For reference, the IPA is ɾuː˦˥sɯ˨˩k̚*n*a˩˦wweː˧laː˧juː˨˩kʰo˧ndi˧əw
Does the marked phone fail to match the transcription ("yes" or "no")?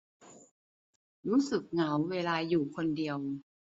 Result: yes